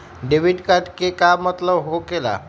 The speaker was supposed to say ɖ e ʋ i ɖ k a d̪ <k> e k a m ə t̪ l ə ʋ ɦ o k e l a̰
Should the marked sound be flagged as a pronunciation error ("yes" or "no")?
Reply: no